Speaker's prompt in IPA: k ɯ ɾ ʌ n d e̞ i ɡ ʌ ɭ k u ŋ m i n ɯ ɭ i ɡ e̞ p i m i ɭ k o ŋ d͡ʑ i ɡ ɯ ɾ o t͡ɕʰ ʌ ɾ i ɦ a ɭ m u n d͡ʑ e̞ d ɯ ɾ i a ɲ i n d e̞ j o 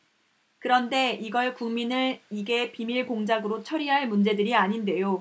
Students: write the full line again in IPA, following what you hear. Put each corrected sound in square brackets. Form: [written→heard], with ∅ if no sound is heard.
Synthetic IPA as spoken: k ɯ ɾ ʌ n d e̞ i ɡ ʌ ɭ k u ŋ m i n ɯ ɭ i ɡ e̞ p i m i ɭ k o ŋ d͡ʑ [i→a] ɡ ɯ ɾ o t͡ɕʰ ʌ ɾ i ɦ a ɭ m u n d͡ʑ e̞ d ɯ ɾ i a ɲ i n d e̞ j o